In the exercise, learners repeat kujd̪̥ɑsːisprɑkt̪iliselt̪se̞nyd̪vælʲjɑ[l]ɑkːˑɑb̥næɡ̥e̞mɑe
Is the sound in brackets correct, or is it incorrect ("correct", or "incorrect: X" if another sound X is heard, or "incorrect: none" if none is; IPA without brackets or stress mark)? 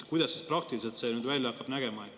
incorrect: none